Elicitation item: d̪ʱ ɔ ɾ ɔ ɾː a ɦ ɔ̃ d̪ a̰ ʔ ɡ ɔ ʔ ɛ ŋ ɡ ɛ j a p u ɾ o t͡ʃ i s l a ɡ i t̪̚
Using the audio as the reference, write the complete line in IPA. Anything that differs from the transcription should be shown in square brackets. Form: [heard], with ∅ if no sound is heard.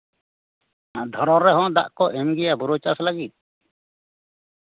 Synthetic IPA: d̪ʱ ɔ ɾ ɔ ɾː [ɛ] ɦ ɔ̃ d̪ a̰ ʔ [k] ɔ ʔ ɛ [m] ɡ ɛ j a [b] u ɾ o t͡ʃ [a] s l a ɡ i t̪̚